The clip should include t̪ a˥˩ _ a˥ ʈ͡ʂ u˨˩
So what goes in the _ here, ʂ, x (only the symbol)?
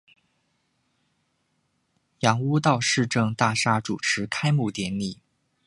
ʂ